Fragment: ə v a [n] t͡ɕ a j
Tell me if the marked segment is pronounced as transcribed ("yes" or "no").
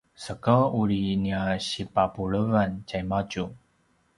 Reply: yes